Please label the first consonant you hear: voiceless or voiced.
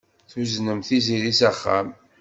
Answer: voiceless